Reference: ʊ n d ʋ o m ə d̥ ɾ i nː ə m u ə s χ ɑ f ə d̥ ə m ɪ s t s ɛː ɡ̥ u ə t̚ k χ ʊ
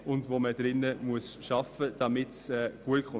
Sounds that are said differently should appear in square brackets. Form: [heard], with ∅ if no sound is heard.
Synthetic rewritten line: ʊ n d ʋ o m ə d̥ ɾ [ɪ] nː ə m u ə s [ʃ] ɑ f ə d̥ [ɑ] m ɪ [∅] t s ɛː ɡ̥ u ə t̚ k χ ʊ